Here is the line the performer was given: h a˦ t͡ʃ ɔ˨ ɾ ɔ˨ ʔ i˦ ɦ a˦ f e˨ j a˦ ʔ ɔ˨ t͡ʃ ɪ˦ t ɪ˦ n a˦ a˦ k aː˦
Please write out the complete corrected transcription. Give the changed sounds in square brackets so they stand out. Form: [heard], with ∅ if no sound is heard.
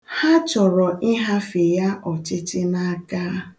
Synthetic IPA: h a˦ t͡ʃ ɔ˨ ɾ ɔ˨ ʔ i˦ ɦ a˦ f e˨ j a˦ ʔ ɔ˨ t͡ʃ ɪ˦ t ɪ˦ n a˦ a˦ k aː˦